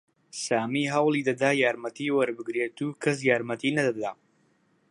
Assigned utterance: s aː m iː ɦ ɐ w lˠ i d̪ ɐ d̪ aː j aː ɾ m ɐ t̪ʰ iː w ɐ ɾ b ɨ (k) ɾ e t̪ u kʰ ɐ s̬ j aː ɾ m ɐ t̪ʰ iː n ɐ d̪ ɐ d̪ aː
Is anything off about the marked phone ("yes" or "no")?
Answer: yes